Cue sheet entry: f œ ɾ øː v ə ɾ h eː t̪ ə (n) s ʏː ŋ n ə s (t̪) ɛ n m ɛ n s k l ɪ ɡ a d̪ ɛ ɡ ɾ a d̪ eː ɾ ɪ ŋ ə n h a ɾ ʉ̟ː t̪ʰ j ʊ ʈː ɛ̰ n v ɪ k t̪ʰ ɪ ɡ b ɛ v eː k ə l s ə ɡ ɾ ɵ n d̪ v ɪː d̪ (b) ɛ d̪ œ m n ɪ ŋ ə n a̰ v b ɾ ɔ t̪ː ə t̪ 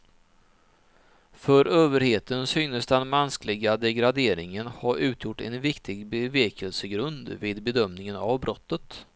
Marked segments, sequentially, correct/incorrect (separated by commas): correct, incorrect, correct